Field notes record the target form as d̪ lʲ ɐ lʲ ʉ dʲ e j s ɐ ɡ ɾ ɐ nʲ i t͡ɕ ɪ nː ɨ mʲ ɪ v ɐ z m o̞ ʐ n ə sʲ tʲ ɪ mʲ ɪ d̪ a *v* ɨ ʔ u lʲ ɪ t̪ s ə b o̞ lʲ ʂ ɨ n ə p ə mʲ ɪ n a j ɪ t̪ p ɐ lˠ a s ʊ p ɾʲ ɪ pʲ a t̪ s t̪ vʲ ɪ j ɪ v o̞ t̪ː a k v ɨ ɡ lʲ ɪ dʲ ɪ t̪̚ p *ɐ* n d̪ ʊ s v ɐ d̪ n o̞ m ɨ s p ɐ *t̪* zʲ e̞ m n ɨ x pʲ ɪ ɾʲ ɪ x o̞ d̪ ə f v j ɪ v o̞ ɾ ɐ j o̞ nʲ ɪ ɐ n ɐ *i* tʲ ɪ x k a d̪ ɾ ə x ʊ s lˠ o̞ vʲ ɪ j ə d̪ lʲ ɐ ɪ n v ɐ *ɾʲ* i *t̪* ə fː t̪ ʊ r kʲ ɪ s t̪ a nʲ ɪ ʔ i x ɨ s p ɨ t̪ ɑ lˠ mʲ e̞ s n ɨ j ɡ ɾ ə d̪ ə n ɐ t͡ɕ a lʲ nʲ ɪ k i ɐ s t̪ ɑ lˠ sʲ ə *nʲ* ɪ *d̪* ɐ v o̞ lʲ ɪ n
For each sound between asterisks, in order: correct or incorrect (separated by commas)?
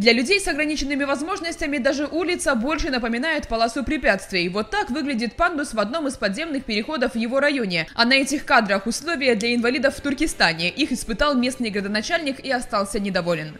incorrect, incorrect, incorrect, incorrect, incorrect, incorrect, correct, correct